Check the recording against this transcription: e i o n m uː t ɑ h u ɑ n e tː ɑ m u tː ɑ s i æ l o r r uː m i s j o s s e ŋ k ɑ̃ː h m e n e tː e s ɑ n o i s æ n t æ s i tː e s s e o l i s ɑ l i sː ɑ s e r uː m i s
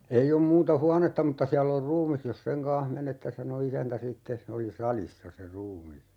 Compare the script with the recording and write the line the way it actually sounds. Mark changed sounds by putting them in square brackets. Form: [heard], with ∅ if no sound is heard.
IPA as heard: e i o [m] m uː t ɑ h u ɑ n e tː ɑ m u tː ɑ s i æ [lː] o r r uː m i s j o s s e ŋ k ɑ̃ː h m e n e tː e s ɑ n o i s æ n t æ s i tː e s s e o l i s ɑ l i sː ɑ s e r uː m i s